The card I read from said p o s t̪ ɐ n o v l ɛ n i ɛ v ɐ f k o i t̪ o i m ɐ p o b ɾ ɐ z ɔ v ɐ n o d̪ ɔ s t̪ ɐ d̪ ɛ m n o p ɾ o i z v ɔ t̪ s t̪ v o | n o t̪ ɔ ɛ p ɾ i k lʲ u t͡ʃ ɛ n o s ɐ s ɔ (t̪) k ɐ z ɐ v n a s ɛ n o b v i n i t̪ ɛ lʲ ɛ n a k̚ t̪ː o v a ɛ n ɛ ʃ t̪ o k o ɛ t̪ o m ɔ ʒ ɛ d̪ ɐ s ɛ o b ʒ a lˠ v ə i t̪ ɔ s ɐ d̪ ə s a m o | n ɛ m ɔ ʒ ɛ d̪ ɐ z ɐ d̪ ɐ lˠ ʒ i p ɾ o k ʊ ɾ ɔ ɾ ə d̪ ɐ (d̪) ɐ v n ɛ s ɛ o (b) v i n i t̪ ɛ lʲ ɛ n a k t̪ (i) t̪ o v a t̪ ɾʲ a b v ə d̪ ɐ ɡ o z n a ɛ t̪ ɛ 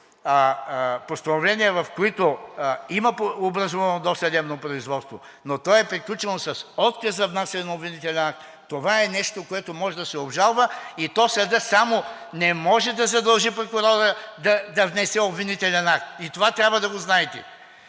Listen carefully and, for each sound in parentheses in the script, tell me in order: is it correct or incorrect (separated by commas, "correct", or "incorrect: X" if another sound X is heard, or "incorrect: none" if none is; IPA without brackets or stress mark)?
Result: correct, correct, correct, correct